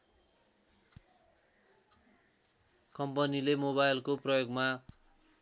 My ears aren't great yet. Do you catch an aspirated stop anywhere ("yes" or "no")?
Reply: no